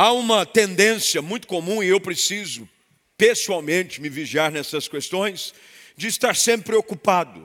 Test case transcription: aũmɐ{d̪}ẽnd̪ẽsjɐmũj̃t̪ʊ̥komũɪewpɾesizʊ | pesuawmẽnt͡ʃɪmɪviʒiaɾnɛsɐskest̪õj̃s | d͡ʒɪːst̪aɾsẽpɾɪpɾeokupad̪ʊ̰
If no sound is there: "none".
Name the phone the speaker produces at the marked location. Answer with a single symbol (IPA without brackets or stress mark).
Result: t̪